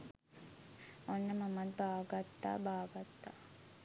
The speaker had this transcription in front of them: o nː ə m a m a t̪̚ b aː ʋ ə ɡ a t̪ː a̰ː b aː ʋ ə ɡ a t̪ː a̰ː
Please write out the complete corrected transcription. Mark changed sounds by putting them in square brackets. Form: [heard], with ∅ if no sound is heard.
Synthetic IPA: o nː ə m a m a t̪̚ b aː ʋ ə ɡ a t̪ː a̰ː b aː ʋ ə ɡ a t̪ː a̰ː